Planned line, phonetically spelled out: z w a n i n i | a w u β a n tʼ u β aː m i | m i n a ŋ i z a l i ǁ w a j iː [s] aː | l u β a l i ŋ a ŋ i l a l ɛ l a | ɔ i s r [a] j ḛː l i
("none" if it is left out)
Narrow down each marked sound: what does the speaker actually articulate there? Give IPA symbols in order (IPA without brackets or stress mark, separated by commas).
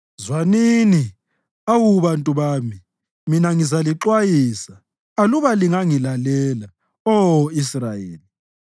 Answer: s, a